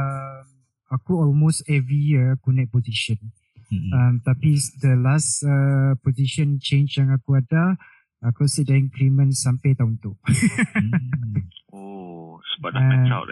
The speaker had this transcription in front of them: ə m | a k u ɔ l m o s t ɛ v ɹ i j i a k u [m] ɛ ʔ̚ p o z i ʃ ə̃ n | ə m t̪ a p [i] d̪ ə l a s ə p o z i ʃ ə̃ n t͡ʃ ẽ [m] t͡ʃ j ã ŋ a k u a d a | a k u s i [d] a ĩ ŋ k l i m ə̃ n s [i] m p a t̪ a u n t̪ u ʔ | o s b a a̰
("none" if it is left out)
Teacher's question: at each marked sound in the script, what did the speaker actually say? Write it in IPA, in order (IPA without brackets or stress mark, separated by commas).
n, i, n, d, a